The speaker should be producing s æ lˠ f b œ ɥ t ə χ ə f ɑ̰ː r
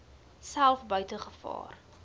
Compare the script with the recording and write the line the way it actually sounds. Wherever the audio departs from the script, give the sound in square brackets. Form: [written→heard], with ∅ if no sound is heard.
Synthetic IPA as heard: s æ lˠ f b œ ɥ t ə χ ə f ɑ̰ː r